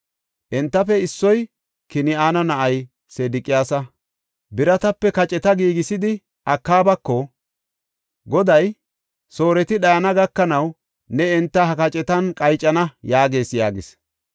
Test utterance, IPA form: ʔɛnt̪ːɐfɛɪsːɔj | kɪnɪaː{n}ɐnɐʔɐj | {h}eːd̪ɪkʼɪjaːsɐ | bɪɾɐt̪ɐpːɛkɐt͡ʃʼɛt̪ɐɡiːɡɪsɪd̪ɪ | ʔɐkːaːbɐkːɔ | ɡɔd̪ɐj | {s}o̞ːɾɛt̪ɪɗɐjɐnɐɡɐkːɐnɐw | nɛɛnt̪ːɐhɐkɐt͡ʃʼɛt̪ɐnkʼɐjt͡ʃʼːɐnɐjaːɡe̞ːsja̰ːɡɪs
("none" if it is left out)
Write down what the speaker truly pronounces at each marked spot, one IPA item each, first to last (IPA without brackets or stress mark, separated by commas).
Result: n, s, s